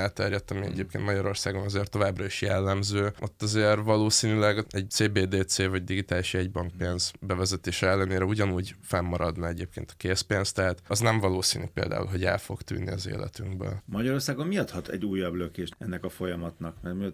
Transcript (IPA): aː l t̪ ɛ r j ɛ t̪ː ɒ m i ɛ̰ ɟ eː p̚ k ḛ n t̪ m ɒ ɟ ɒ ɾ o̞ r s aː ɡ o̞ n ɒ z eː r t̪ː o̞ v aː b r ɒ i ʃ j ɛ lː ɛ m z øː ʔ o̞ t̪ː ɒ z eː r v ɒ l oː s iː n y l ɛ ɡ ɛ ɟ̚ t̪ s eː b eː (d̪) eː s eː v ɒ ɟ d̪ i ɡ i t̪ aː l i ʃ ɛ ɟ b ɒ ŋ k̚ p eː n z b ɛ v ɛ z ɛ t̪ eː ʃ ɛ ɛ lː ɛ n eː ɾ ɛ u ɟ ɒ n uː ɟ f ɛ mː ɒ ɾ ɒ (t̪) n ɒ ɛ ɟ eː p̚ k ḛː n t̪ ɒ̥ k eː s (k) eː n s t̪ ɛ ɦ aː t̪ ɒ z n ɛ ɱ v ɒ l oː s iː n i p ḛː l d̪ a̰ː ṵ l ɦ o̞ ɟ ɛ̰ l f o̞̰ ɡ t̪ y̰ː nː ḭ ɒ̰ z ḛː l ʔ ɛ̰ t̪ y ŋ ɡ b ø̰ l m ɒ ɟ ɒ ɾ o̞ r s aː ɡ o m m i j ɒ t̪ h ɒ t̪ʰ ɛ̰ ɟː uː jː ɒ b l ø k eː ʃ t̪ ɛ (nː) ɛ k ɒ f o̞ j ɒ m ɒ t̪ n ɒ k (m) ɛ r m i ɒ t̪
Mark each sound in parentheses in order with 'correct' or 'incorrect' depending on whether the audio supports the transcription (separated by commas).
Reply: correct, incorrect, incorrect, correct, correct